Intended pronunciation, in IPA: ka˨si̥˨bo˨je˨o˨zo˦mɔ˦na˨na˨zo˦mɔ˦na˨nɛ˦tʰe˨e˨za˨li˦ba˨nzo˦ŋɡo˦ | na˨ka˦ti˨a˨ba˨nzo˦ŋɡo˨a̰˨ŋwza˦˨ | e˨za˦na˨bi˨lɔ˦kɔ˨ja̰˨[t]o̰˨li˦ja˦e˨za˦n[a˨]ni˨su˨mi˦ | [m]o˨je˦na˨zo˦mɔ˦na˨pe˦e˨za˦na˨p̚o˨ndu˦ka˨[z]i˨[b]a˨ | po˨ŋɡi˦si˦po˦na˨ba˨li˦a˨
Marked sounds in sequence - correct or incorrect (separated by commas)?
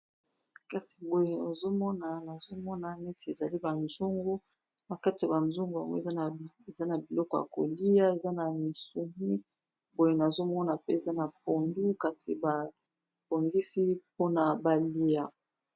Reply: incorrect, correct, incorrect, incorrect, correct